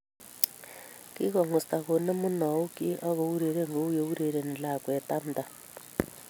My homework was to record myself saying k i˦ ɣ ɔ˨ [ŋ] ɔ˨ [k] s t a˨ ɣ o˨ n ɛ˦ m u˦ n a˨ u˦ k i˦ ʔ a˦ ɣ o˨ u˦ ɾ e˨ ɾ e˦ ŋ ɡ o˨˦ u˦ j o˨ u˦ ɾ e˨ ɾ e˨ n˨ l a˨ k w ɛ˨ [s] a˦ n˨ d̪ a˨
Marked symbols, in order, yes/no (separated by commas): yes, no, no